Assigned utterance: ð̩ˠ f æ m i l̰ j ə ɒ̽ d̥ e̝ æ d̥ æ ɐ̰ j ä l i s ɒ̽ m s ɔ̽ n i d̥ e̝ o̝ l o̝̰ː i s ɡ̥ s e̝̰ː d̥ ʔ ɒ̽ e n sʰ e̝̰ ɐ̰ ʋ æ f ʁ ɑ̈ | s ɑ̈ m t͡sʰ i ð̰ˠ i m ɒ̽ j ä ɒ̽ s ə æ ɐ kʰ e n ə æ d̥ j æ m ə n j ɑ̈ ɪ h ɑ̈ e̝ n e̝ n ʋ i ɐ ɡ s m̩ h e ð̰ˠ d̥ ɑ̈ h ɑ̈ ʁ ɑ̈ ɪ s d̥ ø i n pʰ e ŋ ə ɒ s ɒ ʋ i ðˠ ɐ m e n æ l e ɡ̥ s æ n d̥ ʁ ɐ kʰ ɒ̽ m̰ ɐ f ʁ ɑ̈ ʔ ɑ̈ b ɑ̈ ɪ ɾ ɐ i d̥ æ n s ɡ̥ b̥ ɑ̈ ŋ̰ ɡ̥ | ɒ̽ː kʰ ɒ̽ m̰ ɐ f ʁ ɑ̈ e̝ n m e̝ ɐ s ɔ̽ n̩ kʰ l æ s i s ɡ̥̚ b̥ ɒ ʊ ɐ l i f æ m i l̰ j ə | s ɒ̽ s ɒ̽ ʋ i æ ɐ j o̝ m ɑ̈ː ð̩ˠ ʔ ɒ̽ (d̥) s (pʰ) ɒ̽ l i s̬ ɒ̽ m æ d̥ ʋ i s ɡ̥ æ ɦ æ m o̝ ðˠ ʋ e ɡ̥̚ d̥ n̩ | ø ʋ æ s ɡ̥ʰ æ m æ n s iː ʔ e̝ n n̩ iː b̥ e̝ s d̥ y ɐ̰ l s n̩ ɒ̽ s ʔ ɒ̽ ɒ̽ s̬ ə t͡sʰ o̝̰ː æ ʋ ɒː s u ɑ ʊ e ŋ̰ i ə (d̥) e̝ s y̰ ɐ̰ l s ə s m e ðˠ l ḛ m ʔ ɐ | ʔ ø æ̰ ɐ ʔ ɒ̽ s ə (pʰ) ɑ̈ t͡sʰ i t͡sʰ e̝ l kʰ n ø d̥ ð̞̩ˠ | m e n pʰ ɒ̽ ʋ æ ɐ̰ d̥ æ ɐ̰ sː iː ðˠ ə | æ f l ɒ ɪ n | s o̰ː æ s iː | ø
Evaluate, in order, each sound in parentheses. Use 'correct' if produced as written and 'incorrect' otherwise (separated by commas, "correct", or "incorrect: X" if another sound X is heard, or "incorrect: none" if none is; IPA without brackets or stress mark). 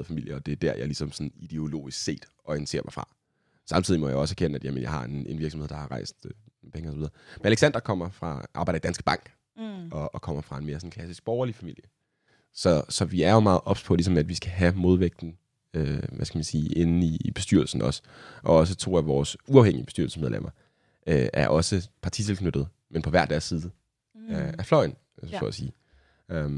incorrect: b̥, correct, incorrect: b̥, correct